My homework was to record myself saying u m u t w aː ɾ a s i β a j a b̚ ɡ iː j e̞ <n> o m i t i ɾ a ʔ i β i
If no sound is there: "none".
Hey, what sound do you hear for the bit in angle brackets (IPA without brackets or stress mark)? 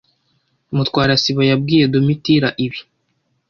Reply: d